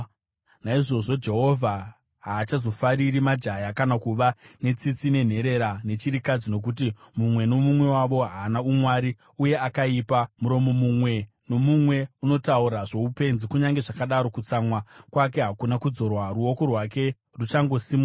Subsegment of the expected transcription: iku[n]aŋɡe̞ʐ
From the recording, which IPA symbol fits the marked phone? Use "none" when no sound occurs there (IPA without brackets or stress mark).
ɲ